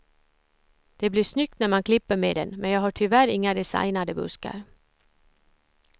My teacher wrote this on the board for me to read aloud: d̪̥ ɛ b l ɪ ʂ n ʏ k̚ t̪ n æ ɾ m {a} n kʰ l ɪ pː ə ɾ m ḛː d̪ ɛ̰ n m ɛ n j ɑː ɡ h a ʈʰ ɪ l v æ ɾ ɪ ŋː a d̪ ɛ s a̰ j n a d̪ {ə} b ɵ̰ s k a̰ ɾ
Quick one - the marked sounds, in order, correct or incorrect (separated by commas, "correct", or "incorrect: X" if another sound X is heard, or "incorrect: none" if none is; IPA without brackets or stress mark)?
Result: correct, correct